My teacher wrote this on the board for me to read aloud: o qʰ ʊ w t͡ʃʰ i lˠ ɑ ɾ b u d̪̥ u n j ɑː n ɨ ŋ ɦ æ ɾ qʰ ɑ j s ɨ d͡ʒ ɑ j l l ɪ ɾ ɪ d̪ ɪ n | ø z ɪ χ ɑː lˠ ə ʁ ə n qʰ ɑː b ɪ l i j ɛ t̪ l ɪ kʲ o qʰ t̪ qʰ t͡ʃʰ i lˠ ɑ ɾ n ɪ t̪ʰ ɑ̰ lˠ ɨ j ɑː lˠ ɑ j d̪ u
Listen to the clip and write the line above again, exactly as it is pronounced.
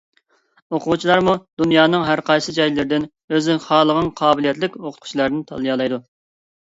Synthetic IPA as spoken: o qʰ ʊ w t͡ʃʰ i lˠ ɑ ɾ m u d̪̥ u n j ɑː n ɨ ŋ ɦ æ ɾ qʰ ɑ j s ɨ d͡ʒ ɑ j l l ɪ ɾ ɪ d̪ ɪ n | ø z ɪ χ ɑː lˠ ə ʁ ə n qʰ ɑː b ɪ l i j ɛ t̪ l ɪ kʲ o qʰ t̪ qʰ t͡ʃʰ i lˠ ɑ ɾ n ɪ t̪ʰ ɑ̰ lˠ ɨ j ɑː lˠ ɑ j d̪ u